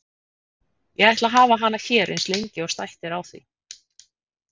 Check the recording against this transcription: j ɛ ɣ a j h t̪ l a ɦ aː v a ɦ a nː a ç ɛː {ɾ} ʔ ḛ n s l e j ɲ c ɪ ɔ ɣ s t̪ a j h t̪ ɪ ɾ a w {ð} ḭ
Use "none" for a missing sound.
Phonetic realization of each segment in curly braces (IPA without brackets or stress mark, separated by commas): ɾ, θ